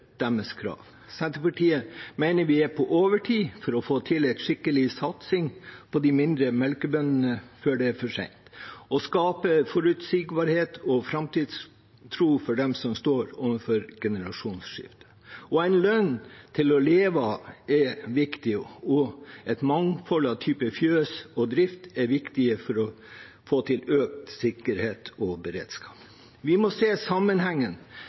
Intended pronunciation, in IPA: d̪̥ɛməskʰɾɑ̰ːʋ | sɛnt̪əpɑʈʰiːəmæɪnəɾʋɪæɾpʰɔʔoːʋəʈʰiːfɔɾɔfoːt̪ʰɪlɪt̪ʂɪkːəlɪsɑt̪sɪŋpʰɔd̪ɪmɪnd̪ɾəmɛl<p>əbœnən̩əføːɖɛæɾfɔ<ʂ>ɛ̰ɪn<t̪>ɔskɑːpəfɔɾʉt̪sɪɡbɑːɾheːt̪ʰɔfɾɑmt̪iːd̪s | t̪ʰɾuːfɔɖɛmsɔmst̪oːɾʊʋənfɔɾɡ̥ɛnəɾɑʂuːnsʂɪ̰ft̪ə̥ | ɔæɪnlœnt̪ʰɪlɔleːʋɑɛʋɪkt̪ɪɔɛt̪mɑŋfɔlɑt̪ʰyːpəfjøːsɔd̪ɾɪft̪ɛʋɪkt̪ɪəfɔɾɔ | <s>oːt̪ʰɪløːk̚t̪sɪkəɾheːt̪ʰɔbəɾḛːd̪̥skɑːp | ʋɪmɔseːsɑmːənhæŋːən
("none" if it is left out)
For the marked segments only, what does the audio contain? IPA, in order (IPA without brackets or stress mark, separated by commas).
k, ʂ, t̪, f